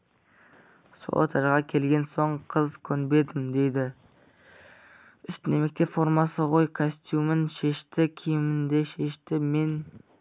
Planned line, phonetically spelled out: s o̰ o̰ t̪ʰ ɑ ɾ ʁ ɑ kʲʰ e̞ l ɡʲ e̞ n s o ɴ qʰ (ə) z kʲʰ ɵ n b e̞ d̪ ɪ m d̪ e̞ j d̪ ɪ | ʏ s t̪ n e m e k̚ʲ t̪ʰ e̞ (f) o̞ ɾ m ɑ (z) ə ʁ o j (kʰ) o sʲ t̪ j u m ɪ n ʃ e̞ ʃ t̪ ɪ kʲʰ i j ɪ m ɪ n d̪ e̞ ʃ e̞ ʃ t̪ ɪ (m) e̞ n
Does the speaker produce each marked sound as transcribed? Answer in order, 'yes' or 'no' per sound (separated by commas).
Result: yes, yes, no, yes, yes